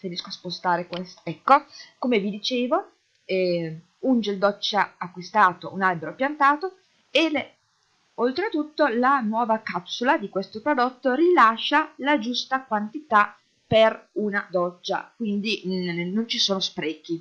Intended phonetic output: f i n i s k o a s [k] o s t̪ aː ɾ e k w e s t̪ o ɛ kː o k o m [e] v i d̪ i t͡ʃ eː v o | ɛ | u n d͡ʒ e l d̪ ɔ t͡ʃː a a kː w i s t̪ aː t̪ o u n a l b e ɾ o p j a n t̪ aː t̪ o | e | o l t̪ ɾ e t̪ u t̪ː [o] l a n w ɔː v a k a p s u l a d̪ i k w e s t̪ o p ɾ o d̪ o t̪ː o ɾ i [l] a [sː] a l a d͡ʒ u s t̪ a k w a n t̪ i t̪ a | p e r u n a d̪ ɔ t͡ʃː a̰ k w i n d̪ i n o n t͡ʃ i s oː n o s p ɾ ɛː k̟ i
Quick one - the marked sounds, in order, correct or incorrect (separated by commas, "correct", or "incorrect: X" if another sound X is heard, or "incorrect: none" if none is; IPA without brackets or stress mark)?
incorrect: p, correct, correct, correct, incorrect: ʃː